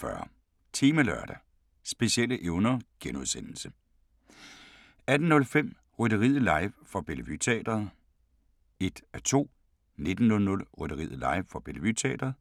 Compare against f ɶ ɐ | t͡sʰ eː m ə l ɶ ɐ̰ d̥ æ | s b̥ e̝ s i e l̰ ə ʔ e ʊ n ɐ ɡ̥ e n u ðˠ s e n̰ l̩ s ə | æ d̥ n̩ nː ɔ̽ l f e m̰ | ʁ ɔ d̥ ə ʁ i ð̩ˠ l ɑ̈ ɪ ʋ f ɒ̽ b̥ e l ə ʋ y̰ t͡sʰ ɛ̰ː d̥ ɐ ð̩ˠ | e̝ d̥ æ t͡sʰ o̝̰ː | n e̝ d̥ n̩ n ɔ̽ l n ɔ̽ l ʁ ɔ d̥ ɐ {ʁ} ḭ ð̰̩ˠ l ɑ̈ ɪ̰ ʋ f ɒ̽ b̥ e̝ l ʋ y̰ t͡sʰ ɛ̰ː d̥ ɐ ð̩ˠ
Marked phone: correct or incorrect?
correct